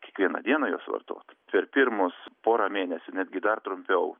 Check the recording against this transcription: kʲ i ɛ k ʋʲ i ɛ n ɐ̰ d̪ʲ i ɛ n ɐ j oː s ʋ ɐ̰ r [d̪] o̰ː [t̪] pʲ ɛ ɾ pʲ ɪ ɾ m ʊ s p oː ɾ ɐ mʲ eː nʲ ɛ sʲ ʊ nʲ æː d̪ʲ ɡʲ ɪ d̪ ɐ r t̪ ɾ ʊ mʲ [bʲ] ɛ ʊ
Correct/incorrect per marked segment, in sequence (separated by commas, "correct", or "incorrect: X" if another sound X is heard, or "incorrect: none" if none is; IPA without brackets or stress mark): incorrect: t̪, correct, incorrect: pʲ